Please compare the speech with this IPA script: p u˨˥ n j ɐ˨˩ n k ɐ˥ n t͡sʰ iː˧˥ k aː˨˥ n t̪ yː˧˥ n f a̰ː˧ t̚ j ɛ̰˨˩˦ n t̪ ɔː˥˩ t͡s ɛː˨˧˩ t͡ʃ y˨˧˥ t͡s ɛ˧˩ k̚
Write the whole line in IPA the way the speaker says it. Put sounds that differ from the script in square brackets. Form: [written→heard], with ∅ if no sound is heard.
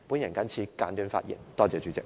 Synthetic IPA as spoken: p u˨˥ n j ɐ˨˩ n k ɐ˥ n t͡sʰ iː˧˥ k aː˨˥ n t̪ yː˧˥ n f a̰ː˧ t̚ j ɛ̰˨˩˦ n t̪ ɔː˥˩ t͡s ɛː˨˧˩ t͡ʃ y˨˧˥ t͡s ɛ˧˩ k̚